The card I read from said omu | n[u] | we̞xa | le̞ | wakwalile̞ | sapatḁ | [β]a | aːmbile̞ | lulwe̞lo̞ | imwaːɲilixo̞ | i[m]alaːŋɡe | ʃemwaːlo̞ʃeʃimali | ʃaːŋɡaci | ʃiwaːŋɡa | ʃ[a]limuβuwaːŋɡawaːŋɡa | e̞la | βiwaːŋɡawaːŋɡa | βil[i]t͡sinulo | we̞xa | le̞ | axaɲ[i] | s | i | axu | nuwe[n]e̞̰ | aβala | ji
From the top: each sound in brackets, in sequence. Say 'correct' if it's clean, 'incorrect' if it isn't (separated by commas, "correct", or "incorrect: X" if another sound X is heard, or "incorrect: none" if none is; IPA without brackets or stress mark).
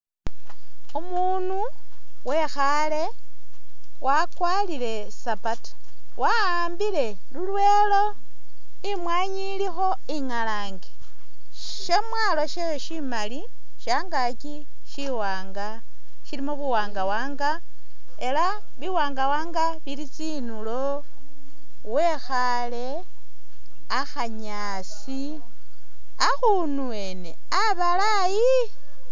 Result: correct, incorrect: w, incorrect: ŋ, incorrect: i, correct, incorrect: a, correct